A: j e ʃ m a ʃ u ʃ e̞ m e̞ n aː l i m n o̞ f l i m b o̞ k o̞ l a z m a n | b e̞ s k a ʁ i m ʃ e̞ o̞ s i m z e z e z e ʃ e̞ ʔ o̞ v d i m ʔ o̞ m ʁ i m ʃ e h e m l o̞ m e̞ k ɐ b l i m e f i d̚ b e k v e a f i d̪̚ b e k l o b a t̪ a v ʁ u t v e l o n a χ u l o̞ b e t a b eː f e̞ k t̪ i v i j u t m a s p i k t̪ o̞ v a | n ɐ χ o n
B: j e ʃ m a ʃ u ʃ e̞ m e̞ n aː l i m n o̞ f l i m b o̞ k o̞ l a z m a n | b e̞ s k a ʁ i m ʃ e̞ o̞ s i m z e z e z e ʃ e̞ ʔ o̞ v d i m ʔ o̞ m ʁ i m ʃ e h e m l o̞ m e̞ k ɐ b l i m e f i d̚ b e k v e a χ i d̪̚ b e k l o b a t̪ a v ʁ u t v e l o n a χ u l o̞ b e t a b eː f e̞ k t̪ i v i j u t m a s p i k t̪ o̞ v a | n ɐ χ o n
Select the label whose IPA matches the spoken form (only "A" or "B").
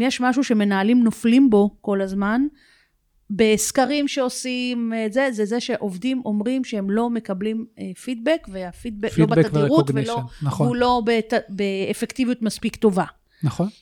A